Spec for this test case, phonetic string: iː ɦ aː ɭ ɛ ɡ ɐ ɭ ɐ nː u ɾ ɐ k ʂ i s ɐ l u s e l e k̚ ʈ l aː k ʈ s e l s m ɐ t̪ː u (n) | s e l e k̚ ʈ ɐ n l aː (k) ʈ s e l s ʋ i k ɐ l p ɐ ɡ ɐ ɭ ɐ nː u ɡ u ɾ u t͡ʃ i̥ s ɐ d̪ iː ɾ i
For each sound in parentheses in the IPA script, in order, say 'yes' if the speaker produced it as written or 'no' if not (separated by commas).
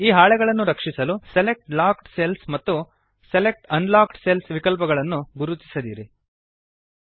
no, yes